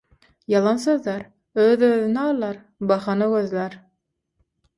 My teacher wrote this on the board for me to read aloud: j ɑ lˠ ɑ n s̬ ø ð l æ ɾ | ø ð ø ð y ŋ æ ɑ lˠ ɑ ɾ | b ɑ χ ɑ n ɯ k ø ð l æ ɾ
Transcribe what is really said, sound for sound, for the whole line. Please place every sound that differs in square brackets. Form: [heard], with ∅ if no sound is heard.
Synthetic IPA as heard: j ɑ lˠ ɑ n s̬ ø ð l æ ɾ | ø ð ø ð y [n] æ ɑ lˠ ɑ ɾ | b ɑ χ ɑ n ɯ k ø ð l æ ɾ